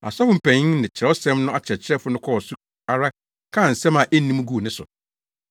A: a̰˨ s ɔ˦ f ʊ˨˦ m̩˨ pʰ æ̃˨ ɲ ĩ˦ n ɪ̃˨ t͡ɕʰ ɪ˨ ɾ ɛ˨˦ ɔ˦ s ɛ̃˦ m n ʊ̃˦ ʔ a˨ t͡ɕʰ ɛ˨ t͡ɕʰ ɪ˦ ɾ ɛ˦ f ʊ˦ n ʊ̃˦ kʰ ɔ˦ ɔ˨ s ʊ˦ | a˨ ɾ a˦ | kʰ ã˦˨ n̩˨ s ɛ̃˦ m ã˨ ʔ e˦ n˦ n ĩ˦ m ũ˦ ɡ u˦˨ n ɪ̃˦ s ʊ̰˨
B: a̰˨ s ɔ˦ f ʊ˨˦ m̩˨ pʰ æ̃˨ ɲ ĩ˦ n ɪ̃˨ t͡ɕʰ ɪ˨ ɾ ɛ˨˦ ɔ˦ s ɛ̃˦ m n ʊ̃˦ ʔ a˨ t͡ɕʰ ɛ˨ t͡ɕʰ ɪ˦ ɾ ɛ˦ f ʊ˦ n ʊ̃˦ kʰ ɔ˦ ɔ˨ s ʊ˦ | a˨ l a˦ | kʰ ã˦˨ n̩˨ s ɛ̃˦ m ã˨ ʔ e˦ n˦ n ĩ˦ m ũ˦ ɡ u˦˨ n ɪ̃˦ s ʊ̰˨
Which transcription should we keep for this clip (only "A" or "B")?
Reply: A